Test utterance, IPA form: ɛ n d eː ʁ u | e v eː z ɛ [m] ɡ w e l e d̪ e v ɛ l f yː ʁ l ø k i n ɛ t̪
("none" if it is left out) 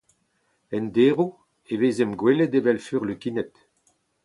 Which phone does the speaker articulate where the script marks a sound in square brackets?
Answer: m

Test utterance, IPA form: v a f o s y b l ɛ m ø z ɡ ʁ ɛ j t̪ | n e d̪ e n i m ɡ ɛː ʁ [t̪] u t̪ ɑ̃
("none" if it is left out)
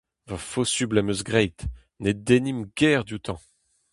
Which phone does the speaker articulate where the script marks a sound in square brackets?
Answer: d̪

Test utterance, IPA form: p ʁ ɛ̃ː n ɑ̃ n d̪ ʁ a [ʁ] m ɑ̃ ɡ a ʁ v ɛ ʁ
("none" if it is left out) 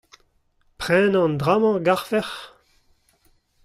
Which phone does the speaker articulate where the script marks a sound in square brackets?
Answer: none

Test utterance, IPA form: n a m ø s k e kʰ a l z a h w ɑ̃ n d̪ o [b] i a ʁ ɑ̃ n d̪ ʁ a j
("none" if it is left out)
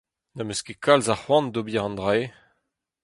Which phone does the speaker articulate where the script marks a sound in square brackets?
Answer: b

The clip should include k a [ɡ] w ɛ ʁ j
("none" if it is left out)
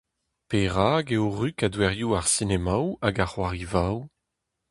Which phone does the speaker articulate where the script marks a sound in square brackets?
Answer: d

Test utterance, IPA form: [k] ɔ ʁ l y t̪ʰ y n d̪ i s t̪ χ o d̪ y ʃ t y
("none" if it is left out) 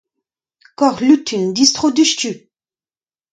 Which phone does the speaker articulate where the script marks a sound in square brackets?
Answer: k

